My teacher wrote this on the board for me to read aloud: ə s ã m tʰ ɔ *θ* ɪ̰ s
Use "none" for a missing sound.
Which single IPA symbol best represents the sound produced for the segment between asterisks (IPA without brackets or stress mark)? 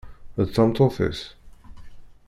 f